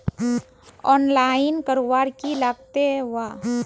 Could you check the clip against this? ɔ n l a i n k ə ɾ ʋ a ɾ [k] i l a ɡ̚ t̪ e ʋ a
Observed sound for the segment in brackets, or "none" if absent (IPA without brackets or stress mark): k